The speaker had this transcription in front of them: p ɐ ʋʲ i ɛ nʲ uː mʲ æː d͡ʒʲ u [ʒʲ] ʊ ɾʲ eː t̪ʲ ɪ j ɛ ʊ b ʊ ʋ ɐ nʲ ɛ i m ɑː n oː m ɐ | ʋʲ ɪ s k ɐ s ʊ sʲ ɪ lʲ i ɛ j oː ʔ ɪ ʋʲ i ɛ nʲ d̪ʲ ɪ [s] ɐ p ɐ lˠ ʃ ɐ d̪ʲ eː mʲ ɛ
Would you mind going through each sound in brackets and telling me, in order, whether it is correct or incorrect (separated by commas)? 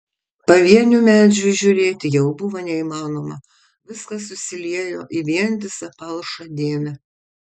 correct, correct